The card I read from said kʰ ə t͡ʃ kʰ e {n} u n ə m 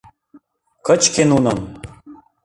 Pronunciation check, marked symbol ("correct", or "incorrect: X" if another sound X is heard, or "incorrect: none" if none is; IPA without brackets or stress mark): correct